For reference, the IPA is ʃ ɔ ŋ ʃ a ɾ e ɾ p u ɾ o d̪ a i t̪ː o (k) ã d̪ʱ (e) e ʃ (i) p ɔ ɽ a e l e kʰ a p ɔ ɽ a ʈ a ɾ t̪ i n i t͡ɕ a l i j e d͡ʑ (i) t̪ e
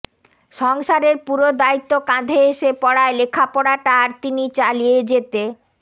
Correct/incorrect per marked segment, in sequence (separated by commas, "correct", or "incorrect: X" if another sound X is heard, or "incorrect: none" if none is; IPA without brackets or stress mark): correct, correct, incorrect: e, incorrect: e